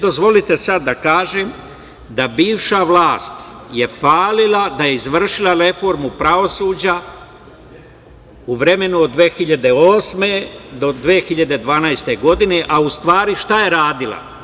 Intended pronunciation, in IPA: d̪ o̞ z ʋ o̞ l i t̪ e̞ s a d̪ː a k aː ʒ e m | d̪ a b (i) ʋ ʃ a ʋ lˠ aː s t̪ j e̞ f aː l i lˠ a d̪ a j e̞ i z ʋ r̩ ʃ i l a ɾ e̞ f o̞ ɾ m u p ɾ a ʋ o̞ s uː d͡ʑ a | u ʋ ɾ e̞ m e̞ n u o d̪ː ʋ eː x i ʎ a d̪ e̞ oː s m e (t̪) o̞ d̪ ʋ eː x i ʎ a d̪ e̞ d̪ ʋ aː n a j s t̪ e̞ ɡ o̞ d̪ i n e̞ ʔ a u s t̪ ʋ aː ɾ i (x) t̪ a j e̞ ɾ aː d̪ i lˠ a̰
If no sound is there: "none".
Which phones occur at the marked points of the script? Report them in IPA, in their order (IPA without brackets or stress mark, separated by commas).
iː, d̪, ʃ